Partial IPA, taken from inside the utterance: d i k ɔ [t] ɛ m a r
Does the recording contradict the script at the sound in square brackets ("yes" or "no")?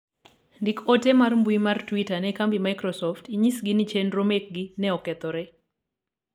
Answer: no